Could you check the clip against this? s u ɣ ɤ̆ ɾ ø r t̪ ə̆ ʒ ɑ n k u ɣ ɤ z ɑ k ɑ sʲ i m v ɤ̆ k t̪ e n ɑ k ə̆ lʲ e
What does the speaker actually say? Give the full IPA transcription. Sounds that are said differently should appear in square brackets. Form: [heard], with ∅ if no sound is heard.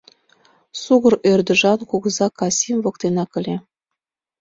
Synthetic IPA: s u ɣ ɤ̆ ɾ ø r [d̪] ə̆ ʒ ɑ n k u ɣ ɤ z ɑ k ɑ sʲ i m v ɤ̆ k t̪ e n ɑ k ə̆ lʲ e